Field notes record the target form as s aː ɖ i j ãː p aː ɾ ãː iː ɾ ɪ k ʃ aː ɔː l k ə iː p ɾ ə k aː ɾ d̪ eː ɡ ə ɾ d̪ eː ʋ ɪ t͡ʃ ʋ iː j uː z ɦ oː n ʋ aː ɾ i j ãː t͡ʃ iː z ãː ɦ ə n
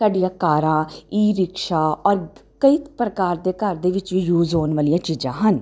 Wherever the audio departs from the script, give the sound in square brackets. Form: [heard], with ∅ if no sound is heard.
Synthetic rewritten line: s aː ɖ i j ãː [k] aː ɾ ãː iː ɾ ɪ k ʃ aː ɔː [ɾ] k ə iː p ɾ ə k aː ɾ d̪ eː [k] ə ɾ d̪ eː ʋ ɪ t͡ʃ ʋ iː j uː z ɦ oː n ʋ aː [l] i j ãː t͡ʃ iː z ãː ɦ ə n